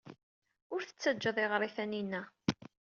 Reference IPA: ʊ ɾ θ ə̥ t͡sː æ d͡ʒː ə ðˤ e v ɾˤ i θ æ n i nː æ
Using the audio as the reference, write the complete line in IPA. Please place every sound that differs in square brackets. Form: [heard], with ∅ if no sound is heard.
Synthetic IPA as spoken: ʊ ɾ θ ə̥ t͡sː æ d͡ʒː ə ðˤ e [ʁ] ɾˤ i θ æ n i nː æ